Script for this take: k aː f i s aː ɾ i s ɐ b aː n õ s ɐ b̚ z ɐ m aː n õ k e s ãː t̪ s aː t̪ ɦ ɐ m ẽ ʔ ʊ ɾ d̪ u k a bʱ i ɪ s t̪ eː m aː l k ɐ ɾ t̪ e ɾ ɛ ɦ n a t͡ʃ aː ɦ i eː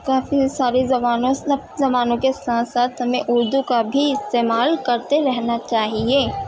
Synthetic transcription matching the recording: k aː f i s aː ɾ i z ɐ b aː n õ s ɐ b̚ z ɐ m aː n õ k e s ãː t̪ s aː t̪ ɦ ɐ m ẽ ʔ ʊ ɾ d̪ u k a bʱ i ɪ s t̪ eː m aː l k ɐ ɾ t̪ e ɾ ɛ ɦ n a t͡ʃ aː ɦ i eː